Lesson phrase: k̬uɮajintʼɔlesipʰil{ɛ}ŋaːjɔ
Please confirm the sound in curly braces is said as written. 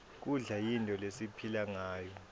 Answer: no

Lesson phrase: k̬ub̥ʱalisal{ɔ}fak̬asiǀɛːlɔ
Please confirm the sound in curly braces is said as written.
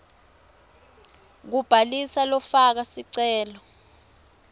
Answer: yes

